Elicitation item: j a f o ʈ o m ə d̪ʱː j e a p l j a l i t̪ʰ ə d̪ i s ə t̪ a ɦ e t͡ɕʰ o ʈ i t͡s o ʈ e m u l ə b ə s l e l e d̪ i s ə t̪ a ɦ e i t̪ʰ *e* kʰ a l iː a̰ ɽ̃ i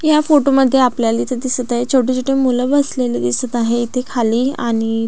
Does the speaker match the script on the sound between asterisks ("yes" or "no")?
yes